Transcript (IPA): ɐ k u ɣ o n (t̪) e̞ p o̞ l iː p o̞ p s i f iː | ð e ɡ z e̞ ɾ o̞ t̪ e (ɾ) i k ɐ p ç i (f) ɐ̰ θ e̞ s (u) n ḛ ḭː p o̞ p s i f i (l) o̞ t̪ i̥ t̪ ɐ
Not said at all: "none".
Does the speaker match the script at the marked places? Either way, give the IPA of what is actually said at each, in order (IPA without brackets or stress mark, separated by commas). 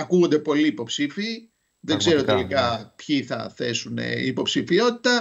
d̪, l, θ, u, none